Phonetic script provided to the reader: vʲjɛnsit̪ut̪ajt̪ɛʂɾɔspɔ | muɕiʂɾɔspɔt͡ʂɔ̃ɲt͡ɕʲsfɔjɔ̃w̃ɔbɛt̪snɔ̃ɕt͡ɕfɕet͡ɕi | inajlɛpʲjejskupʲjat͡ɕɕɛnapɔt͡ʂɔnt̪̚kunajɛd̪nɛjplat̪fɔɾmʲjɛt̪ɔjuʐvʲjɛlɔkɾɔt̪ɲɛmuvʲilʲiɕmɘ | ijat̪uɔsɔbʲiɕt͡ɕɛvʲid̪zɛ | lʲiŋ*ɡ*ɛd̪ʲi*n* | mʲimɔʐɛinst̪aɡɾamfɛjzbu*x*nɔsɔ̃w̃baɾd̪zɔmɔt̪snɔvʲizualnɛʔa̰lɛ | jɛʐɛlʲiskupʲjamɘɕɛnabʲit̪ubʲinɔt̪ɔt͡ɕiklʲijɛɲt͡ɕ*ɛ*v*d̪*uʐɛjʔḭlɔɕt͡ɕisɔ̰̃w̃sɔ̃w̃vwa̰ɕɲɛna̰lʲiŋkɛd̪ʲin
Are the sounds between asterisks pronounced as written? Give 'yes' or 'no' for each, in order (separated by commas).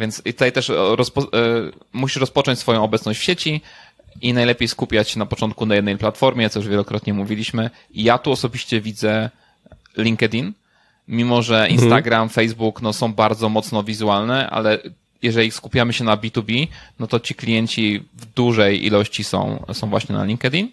no, yes, no, no, yes